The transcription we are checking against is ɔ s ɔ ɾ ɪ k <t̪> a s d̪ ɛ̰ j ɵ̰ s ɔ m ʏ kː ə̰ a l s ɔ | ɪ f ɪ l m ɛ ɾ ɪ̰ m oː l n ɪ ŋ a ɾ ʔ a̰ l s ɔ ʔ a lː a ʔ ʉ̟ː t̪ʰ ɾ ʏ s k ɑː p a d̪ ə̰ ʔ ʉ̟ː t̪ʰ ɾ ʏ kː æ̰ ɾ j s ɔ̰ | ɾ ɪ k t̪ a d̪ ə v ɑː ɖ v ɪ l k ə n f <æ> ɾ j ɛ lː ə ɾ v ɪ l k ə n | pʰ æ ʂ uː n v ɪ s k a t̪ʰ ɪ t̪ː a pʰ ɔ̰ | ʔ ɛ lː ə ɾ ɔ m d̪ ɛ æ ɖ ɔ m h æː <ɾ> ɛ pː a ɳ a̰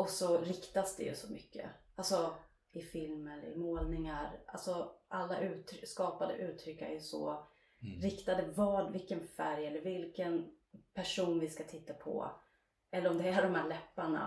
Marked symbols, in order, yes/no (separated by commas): yes, yes, no